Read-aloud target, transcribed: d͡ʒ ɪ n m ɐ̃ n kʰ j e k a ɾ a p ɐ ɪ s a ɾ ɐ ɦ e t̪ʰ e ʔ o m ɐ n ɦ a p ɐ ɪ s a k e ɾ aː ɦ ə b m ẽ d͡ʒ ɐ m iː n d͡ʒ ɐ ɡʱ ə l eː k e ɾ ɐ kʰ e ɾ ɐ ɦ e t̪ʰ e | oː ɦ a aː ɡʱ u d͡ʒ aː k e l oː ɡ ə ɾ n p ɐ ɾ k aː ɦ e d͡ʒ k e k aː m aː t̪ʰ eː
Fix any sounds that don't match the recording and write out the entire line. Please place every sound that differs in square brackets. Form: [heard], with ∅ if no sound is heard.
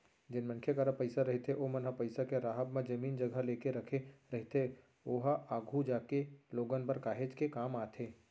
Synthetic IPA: d͡ʒ ɪ n m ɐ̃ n kʰ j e k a ɾ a p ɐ ɪ s a ɾ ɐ ɦ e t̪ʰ e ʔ o m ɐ n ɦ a p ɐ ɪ s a k e ɾ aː ɦ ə b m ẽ d͡ʒ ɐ m iː n d͡ʒ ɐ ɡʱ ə l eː k e ɾ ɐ kʰ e ɾ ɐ ɦ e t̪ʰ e | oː ɦ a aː ɡʱ u d͡ʒ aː k e l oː ɡ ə [∅] n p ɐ ɾ k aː ɦ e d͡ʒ k e k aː m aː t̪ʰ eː